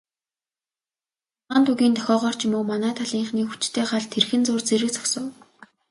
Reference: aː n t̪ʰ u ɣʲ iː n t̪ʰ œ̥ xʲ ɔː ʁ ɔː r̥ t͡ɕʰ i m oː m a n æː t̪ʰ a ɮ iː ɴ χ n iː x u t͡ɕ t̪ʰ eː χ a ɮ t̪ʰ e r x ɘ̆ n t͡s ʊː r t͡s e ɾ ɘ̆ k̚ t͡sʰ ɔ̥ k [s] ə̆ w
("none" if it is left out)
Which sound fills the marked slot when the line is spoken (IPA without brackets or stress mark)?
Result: s